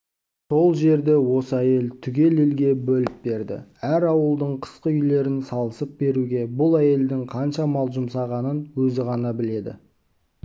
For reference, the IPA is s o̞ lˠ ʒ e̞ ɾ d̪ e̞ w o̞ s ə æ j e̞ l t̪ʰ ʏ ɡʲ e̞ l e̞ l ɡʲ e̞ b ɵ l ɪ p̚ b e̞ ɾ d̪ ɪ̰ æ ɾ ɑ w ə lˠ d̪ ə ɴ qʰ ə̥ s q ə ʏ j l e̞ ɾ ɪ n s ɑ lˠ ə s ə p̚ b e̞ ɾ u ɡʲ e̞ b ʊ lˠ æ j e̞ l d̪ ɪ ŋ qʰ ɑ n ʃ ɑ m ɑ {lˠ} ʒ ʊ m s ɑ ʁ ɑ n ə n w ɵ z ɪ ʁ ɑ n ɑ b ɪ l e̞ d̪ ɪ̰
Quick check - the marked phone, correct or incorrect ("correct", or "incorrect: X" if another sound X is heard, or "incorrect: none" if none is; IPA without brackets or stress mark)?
correct